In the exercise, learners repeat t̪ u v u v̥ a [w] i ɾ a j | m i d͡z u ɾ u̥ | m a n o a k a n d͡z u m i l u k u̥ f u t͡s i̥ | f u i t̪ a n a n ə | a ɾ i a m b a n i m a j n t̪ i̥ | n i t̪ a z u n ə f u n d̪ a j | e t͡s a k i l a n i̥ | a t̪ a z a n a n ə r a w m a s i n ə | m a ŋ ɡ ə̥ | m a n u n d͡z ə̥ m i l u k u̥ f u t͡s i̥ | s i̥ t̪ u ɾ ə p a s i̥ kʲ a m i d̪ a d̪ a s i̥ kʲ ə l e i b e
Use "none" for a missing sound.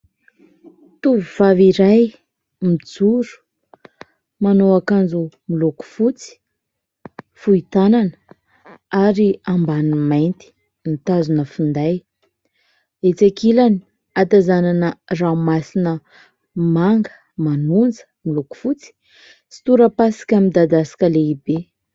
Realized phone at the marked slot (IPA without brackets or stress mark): v